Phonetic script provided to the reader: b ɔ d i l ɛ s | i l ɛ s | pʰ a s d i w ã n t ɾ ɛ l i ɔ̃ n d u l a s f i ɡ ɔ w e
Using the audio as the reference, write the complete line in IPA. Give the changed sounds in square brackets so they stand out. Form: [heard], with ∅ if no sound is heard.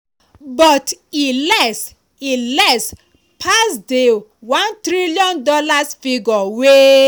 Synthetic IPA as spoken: b ɔ [t] i l ɛ s | i l ɛ s | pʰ a s d [e] w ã n t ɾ [i] l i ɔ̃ n d [ɔ] l a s f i ɡ ɔ w e